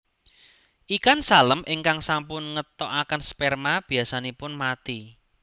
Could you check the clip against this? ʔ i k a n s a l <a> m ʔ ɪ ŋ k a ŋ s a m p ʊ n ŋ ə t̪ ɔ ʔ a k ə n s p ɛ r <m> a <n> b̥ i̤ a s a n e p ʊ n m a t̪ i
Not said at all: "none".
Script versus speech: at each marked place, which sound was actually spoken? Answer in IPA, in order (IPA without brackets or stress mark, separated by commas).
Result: ə, m, none